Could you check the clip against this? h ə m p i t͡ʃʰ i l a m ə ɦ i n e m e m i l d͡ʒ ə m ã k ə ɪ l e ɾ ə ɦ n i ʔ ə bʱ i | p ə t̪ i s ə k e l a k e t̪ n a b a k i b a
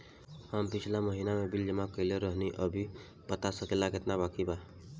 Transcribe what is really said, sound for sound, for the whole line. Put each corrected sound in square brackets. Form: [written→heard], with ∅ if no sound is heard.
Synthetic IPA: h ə m p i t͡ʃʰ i l a m ə ɦ i n [e→a] m e [m→b] i l d͡ʒ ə m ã k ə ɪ l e ɾ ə ɦ n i ʔ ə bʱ i | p ə t̪ [i→a] s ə k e l a k e t̪ n a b a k i b a